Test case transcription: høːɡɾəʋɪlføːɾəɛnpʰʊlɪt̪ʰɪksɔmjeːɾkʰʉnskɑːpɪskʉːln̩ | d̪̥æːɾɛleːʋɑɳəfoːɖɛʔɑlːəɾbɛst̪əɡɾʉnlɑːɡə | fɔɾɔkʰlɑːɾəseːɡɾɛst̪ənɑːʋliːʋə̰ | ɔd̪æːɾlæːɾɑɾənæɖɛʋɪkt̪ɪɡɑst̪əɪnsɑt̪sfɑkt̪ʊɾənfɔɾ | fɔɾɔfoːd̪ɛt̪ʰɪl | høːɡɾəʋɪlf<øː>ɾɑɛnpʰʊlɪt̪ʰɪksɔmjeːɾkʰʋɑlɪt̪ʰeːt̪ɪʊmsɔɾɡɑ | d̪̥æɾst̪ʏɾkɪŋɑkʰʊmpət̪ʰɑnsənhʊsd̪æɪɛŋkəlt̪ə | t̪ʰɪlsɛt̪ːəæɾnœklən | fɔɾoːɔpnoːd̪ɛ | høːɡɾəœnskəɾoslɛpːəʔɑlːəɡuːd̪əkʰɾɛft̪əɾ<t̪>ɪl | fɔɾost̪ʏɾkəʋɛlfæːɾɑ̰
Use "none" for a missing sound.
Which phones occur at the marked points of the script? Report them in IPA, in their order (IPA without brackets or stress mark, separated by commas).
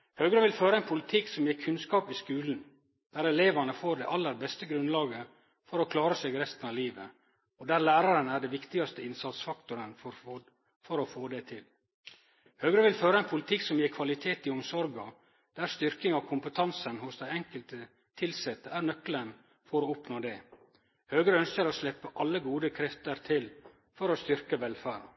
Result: øː, t̪ʰ